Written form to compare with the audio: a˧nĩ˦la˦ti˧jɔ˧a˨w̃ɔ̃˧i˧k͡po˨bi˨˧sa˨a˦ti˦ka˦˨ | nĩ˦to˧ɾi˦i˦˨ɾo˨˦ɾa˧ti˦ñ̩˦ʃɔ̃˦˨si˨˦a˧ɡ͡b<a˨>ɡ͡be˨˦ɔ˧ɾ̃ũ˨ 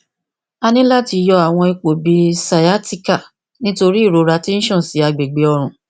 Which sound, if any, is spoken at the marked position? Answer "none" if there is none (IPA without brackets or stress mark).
e˨